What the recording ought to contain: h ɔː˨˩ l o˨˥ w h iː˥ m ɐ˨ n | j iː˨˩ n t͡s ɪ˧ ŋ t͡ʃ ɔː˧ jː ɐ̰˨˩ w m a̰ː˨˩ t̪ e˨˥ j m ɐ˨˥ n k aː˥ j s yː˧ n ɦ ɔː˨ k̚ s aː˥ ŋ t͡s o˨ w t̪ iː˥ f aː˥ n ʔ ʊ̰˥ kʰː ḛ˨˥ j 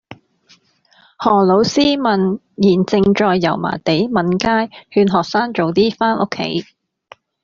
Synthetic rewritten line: h ɔː˨˩ l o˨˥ w s iː˥ m ɐ˨ n | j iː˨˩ n t͡s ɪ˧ ŋ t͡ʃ ɔː˧ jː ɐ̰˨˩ w m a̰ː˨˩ t̪ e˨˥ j m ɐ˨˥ n k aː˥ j h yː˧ n ɦ ɔː˨ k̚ s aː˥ ŋ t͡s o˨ w t̪ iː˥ f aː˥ n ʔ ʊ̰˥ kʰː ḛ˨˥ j